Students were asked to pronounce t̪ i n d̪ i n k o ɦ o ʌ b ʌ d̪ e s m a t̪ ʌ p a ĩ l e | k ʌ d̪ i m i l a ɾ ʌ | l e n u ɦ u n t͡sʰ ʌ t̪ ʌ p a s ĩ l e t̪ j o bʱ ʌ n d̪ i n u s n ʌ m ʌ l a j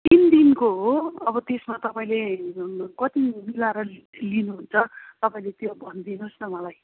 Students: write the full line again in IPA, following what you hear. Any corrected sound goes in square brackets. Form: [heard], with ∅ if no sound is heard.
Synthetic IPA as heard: t̪ i n d̪ i n k o ɦ o ʌ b ʌ [t̪] e s m a t̪ ʌ p a ĩ l e | k ʌ [t̪] i m i l a ɾ ʌ | l [i] n u ɦ u n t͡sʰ ʌ t̪ ʌ p a [∅] ĩ l e t̪ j o bʱ ʌ n d̪ i n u s n ʌ m ʌ l a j